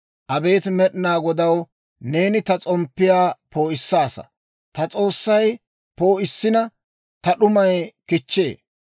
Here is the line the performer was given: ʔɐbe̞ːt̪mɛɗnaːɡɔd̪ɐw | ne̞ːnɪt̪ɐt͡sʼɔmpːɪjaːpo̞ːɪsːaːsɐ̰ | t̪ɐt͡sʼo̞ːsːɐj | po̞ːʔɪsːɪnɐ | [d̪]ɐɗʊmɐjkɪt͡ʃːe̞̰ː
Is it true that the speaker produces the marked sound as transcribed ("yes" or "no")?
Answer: no